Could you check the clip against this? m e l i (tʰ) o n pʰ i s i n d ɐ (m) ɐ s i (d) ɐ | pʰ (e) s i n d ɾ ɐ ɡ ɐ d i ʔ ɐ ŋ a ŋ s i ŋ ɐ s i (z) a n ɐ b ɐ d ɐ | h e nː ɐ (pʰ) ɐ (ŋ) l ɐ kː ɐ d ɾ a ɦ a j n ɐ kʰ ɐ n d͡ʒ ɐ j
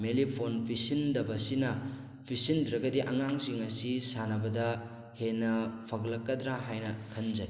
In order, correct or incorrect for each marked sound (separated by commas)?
incorrect, incorrect, incorrect, incorrect, incorrect, correct, incorrect